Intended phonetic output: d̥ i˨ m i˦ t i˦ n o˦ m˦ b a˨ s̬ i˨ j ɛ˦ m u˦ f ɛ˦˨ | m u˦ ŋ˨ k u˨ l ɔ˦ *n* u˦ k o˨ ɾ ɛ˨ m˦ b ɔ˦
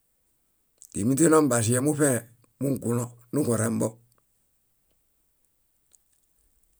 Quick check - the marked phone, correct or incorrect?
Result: correct